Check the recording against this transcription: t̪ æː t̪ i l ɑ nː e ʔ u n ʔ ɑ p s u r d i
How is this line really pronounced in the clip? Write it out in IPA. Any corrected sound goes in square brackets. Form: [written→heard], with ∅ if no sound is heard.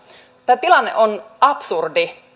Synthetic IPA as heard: t̪ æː t̪ i l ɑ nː e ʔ [u→o] n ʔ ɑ p s u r d i